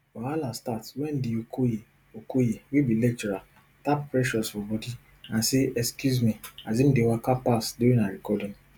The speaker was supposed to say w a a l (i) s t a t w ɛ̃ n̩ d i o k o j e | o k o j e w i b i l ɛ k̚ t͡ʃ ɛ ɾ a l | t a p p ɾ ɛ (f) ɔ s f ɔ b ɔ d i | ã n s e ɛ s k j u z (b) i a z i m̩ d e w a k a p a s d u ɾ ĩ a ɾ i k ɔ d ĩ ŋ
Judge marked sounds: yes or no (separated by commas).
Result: no, no, no